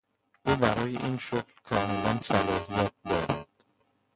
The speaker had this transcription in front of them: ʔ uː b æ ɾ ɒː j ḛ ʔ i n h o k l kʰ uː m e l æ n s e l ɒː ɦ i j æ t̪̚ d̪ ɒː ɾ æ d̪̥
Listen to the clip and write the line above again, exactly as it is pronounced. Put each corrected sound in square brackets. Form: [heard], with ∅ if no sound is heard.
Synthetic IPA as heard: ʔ uː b æ ɾ ɒː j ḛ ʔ i n [ʃ] o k l kʰ [ɒː] m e l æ n s [æ] l ɒː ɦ i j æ t̪̚ d̪ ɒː ɾ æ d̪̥